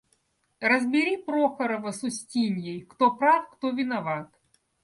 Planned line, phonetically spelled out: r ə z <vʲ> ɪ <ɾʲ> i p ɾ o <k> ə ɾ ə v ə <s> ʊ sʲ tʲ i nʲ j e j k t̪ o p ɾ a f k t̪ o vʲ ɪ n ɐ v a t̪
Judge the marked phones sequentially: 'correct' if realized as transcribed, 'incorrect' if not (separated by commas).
incorrect, correct, incorrect, correct